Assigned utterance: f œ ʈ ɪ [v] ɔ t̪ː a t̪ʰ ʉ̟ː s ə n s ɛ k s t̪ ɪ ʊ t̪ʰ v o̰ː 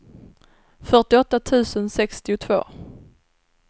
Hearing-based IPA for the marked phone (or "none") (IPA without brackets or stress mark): none